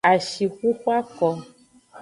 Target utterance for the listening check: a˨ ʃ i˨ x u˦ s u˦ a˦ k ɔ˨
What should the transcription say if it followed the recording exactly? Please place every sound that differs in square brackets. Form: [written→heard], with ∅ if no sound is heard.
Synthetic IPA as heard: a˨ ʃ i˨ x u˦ [s→x] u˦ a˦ k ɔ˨